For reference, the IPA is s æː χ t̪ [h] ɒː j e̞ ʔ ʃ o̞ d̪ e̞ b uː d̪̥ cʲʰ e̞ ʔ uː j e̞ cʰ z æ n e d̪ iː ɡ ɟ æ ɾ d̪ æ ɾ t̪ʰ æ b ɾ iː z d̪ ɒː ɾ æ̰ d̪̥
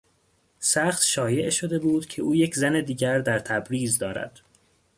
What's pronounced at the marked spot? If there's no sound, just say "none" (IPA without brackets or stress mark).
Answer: ʃ